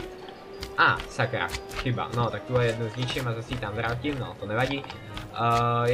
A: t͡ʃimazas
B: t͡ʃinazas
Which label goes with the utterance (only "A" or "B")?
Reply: A